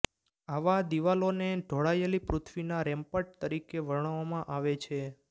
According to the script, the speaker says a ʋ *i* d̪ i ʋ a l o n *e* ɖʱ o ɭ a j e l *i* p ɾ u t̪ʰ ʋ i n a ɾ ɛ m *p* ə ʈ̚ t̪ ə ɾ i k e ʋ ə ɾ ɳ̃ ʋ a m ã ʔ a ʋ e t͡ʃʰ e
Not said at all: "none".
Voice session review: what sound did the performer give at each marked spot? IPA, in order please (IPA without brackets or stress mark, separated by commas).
a, e, i, p